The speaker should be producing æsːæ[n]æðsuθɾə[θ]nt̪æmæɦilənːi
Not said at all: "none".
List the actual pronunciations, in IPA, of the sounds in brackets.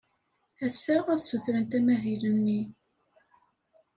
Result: none, none

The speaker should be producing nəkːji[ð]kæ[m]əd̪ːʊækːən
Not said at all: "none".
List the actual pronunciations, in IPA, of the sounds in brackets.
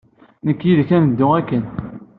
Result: ð, n

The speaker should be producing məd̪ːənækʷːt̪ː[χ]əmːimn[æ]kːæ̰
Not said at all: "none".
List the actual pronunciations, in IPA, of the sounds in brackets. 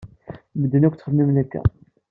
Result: χ, æ

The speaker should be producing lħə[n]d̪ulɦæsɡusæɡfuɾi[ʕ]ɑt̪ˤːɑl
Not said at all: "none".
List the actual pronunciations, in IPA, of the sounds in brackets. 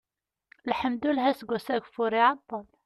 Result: m, ʕ

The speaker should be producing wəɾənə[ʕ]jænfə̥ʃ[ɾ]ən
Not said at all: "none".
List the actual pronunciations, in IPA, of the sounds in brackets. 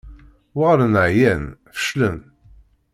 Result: ʕ, l

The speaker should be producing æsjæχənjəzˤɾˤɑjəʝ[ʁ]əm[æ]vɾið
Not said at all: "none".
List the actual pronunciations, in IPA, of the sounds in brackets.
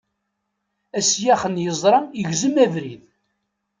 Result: z, æ

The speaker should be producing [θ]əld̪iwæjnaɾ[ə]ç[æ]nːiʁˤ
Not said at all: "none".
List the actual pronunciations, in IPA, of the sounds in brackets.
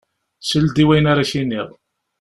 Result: s, a, i

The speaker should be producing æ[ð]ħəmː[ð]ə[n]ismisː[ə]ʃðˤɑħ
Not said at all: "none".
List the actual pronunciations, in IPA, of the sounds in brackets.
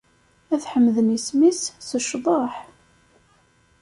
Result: θ, ð, n, ə

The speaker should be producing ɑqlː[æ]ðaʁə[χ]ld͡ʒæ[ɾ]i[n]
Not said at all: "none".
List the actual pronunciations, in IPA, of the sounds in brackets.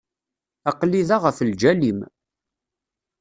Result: i, f, l, m

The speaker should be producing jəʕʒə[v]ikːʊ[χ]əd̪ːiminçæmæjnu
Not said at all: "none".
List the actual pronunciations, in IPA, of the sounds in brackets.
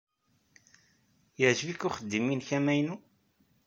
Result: v, χ

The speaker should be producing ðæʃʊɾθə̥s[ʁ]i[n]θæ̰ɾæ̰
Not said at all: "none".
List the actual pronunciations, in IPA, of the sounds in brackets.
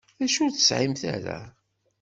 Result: ʕ, m

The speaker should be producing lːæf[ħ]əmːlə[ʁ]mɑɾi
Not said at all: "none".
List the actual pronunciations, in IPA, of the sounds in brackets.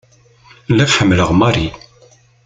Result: ħ, ʁ

